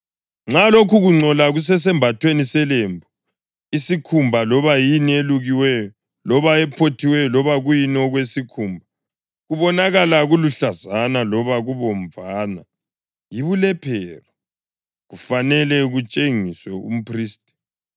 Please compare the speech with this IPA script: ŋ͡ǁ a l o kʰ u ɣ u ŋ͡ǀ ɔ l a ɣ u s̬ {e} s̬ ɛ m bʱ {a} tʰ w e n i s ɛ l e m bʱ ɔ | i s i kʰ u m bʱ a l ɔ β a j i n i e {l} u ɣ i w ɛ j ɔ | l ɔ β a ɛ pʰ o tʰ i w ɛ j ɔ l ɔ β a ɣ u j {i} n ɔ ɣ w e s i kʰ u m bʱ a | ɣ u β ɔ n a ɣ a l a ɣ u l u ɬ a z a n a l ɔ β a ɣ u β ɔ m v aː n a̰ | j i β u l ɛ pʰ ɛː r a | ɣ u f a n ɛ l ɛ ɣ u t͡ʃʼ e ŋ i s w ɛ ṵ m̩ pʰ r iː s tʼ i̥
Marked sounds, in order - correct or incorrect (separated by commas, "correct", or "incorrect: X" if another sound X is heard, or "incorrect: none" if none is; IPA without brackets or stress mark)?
incorrect: ɛ, correct, correct, correct